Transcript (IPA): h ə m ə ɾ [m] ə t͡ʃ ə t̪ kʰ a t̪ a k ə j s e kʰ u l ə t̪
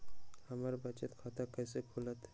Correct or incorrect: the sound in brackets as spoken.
incorrect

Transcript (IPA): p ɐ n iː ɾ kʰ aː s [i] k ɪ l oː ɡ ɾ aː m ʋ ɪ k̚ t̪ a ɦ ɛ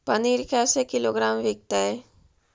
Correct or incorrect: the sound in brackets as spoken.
incorrect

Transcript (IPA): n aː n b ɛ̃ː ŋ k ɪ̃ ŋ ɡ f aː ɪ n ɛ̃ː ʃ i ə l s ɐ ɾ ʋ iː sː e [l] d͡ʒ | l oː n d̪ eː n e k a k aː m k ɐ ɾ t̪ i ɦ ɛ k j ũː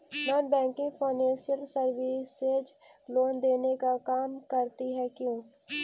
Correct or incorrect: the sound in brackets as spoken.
incorrect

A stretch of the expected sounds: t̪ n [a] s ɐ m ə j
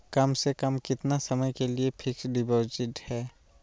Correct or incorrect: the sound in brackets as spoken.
correct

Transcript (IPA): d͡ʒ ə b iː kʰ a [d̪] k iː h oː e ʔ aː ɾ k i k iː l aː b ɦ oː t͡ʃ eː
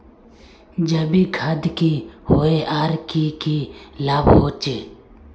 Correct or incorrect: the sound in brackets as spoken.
correct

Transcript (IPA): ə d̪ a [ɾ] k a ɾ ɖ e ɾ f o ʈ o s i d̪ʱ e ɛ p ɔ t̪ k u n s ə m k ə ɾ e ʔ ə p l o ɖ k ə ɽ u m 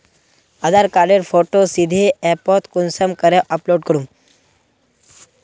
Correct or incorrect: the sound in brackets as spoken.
correct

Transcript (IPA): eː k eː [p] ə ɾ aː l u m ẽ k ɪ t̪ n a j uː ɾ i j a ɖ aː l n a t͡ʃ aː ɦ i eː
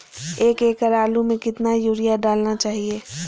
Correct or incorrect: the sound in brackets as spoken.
incorrect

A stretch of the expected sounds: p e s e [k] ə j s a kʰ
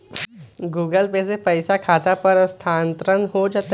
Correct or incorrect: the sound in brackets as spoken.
incorrect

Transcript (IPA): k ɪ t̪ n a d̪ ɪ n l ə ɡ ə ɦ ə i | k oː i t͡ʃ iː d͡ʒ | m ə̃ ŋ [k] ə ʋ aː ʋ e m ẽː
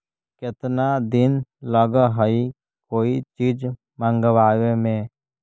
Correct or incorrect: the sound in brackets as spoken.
incorrect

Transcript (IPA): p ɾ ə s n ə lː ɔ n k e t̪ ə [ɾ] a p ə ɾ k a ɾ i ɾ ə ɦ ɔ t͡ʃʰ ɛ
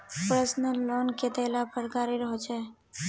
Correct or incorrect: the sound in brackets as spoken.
incorrect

